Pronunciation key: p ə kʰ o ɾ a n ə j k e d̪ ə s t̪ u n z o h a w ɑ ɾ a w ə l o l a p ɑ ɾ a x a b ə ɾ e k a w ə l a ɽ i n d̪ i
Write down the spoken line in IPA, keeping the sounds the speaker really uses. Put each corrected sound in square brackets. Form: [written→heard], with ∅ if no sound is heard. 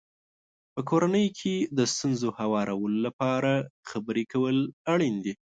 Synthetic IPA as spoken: p ə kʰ o ɾ a n ə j [k→kʰ] e d̪ ə s t̪ u n z o h a w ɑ ɾ a w ə l o l a p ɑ ɾ a x a b ə ɾ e k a w ə l a ɽ i n d̪ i

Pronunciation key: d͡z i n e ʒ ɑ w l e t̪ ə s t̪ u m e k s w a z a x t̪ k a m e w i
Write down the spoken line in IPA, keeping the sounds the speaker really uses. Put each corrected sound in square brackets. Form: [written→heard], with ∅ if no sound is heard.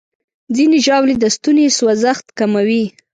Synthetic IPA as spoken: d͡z i n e ʒ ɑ w l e [t̪→d̪] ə s t̪ u [m→n] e [k→∅] s w a z a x t̪ k a m [e→a] w i

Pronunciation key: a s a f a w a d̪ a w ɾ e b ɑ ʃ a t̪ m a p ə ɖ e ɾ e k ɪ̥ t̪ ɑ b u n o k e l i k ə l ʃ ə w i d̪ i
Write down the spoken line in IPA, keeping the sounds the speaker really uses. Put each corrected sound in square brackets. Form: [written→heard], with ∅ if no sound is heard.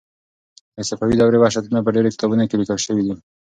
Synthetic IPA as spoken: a s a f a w [a→i] d̪ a w ɾ e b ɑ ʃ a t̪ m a p ə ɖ e ɾ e k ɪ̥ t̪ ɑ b u n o k e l i k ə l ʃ ə w i d̪ i

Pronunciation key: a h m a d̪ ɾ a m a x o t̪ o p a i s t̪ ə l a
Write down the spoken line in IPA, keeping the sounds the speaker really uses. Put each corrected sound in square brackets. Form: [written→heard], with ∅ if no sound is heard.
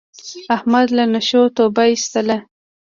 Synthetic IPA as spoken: a h m a d̪ [ɾ→l] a [m→n] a [x→ʃ] o t̪ o [p→b] a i s t̪ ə l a

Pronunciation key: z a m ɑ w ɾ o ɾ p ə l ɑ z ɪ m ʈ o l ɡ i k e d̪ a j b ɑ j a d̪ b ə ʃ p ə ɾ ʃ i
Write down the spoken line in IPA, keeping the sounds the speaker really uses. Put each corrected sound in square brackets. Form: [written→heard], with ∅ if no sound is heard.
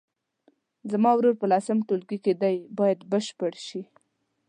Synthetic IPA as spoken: z a m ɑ w ɾ o ɾ p ə l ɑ [z→s] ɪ m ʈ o l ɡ i k e d̪ a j b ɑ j a d̪ b ə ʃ p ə [ɾ→ɽ] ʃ i

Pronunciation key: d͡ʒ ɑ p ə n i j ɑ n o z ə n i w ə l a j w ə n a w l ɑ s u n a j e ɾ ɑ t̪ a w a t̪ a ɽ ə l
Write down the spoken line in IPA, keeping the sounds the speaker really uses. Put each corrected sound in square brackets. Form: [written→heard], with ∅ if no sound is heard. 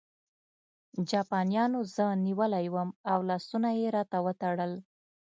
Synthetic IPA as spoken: d͡ʒ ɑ p [ə→ɑ] n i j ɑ n o z ə n i w ə l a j w ə [n→m] a w l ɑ s u n a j e ɾ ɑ t̪ a w [a→ə] t̪ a ɽ ə l

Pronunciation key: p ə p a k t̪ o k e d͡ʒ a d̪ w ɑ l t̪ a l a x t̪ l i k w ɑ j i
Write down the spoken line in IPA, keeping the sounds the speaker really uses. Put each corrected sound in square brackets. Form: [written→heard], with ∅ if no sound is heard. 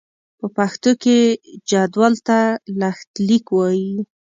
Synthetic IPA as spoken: p ə p a [k→x] t̪ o k e d͡ʒ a d̪ w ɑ l t̪ a l a x t̪ l i k w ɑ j i

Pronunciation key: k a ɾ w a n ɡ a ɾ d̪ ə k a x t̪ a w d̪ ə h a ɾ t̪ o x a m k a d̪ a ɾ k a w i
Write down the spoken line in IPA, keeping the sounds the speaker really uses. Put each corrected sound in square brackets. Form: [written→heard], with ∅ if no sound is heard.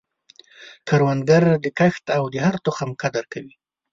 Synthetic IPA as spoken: k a ɾ w a n ɡ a ɾ d̪ ə k a x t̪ a w d̪ ə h a ɾ t̪ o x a m k a d̪ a ɾ k a w i

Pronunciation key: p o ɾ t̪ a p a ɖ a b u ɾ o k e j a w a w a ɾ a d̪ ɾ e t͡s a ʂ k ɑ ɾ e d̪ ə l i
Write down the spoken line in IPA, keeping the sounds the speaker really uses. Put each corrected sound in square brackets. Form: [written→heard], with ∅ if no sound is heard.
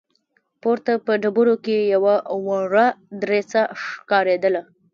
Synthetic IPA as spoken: p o ɾ t̪ a p [a→ə] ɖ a b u ɾ o k e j a w a w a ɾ a d̪ ɾ e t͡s a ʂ k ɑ ɾ e d̪ ə l [i→a]

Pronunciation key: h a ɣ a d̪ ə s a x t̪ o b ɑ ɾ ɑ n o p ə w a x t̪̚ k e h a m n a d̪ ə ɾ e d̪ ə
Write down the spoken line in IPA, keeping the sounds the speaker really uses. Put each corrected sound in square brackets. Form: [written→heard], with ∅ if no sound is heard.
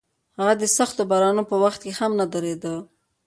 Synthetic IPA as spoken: h a ɣ a d̪ ə s a x t̪ o b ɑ ɾ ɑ n o p ə w a x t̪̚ k e h a m n a d̪ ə ɾ e d̪ ə

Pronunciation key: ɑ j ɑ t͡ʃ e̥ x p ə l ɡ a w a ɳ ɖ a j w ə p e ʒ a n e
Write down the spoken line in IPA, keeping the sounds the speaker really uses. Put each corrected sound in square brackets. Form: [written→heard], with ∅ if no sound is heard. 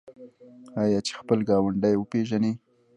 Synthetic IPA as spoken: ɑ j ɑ t͡ʃ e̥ x p ə l ɡ [a→ɑ] w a ɳ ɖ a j w ə p e ʒ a n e

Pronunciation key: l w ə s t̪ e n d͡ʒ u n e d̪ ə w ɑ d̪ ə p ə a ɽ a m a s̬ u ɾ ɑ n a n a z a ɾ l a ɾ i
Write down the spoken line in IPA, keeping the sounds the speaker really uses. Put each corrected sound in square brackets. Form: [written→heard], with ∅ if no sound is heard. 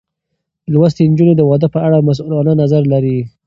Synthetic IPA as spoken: l w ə s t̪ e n d͡ʒ u n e d̪ ə w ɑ d̪ ə p ə a ɽ a m a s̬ u [ɾ→l] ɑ n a n a z a ɾ l a ɾ i

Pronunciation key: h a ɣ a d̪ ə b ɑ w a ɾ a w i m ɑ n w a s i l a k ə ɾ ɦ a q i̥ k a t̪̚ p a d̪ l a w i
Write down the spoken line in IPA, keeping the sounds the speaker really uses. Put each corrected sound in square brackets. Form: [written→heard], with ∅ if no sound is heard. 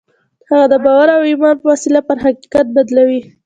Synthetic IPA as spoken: h a ɣ a d̪ ə b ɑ w a ɾ a w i m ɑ n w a s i l a [k→p] ə ɾ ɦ a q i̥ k a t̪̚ [p→b] a d̪ l a w i

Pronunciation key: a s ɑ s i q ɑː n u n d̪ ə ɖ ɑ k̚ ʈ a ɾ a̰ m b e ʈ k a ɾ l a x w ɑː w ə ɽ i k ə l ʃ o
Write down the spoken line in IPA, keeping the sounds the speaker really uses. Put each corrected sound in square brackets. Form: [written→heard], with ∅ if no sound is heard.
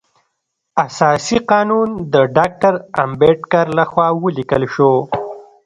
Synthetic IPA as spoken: a s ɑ s i q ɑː n u n d̪ ə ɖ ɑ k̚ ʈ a ɾ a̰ m b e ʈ k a ɾ l a x w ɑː w ə [ɽ→l] i k ə l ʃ o

